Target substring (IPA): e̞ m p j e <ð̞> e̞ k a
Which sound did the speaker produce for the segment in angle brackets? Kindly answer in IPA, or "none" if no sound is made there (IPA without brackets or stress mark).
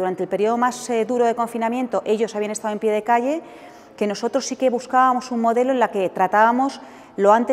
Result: ð̞